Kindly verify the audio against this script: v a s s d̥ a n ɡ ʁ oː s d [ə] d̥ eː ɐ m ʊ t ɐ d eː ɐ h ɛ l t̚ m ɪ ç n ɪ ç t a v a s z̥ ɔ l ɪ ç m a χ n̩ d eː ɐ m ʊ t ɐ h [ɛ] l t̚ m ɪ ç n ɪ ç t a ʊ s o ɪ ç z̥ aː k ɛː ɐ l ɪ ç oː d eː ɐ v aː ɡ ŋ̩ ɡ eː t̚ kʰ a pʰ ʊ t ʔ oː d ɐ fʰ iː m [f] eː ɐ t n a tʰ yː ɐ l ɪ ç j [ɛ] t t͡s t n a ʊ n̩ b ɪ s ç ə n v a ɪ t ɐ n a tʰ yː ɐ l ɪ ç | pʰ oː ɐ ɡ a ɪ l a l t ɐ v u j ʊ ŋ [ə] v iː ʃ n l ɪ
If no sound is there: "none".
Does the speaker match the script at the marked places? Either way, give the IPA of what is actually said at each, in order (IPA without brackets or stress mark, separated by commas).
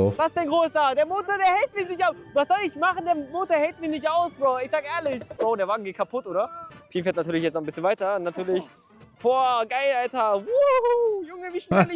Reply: a, ɛ, f, ɛ, ə